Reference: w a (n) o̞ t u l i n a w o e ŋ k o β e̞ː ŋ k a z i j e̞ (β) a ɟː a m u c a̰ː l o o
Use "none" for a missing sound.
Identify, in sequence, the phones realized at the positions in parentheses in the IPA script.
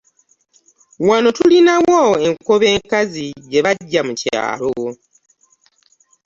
n, β

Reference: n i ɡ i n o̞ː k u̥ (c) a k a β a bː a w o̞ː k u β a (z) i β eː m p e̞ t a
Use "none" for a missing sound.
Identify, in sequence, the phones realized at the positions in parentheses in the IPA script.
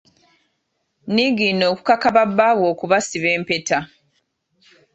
k, s

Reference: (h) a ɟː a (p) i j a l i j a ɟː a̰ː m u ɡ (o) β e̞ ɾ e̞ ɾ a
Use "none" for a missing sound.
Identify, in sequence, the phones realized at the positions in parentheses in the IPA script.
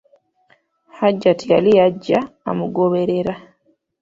h, t, o

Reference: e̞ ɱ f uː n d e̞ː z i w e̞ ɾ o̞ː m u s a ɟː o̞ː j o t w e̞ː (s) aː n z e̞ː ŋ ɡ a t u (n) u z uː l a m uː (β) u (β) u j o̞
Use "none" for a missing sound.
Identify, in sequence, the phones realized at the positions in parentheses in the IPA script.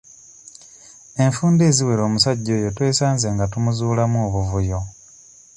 s, m, β, v

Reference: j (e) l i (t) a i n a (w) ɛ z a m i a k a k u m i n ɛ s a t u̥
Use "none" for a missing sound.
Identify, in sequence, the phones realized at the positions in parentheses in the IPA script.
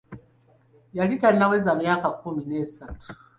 a, t, w

